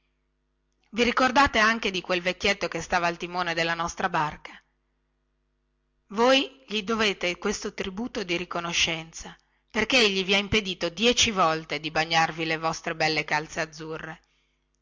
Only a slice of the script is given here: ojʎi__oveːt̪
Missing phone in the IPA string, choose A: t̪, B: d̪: B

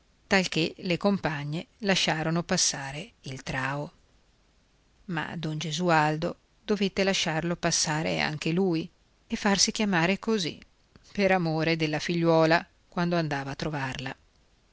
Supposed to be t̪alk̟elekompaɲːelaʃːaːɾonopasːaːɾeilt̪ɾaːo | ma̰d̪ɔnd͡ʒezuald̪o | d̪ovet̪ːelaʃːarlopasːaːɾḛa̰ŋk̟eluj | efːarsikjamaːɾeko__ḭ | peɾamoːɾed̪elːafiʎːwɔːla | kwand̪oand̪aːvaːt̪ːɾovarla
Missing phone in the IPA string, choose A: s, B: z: B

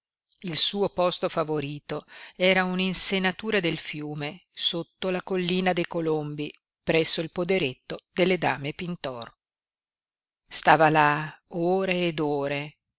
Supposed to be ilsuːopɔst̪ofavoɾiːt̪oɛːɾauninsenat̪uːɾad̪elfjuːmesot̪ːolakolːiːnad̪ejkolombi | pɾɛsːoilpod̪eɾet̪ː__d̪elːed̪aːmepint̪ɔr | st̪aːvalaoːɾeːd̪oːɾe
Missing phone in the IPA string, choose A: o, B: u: A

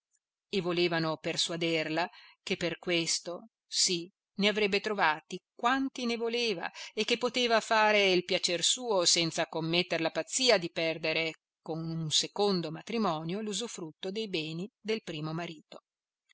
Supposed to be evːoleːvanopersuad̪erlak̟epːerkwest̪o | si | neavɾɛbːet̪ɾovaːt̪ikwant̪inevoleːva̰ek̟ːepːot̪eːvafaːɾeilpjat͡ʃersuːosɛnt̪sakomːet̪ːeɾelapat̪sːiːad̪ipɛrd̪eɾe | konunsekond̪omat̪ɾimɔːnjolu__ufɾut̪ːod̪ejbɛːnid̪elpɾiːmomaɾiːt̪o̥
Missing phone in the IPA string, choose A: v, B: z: B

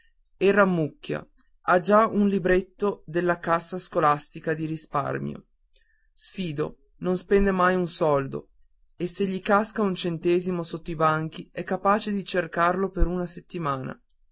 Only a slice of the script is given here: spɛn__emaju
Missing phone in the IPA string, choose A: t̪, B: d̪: B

